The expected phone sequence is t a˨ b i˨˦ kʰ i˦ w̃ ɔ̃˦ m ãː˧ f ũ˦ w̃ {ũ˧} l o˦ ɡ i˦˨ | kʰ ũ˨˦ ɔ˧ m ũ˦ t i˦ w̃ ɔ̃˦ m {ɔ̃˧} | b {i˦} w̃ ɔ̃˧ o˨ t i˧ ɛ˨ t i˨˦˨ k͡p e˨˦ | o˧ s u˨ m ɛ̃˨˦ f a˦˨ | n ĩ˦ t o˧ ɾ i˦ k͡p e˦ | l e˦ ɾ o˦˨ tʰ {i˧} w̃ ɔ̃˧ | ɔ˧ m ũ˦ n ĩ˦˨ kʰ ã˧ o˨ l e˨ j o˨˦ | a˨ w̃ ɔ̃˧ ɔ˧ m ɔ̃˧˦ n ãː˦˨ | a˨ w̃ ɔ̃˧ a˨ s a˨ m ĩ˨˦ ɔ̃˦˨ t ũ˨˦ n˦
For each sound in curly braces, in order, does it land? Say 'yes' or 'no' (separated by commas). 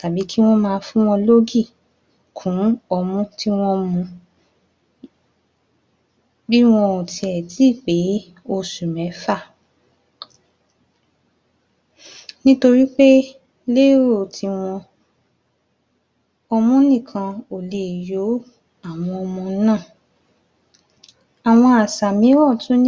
no, no, yes, yes